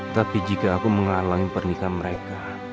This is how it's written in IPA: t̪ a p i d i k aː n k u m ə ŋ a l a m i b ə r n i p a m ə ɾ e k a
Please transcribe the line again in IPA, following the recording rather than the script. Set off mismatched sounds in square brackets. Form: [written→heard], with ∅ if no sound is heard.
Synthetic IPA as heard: t̪ a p i [d→d͡ʒ] i k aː [n→∅] k u m ə ŋ a l a [m→ŋ] i [b→p] ə r n i [p→k] a m ə ɾ e k a